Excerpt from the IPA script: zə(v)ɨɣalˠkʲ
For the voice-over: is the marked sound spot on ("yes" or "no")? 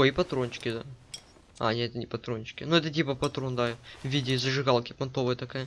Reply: no